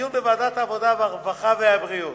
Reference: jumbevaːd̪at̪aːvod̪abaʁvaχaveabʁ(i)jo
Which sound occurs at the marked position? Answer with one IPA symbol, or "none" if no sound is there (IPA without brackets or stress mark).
i